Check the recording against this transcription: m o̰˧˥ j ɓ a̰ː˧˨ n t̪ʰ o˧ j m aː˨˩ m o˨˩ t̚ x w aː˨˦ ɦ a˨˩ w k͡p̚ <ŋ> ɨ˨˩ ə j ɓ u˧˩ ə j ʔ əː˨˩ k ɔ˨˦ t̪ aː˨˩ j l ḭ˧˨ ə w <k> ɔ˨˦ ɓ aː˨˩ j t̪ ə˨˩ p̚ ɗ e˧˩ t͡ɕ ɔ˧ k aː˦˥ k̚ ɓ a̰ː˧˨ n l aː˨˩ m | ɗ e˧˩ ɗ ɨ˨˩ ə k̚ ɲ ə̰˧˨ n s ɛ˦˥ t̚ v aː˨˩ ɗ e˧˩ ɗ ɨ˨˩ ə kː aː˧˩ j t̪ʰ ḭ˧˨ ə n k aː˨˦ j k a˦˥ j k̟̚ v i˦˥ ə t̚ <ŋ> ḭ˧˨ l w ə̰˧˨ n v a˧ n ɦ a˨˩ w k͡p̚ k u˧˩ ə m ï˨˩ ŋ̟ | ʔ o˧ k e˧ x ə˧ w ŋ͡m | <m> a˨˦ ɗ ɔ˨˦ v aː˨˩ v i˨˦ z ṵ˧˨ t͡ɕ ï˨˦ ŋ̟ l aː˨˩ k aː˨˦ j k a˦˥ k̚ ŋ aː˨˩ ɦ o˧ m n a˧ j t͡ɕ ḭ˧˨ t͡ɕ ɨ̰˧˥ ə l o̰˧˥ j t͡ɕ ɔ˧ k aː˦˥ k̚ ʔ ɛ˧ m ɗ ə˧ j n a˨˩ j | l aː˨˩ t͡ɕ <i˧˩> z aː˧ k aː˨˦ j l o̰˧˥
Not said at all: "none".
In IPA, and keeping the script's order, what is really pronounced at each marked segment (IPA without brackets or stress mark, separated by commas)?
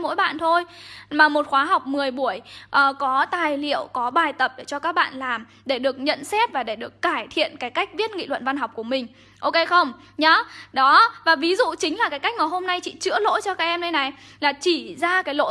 m, k, ŋ, ɲ, i˧˩